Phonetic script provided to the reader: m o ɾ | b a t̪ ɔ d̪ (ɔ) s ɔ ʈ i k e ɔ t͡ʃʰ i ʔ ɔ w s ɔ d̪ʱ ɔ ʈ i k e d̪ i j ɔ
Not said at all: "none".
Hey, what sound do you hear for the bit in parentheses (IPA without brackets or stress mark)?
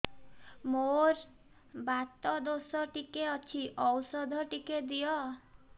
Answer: o